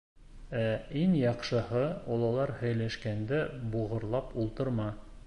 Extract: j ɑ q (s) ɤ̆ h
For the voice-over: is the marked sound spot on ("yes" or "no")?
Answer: no